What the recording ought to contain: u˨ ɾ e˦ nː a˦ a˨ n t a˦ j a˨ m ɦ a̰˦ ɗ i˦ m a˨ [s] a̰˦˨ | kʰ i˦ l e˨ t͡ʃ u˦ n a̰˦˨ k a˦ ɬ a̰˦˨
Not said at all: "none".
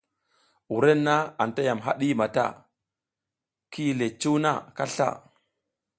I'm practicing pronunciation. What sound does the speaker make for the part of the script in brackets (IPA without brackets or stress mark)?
t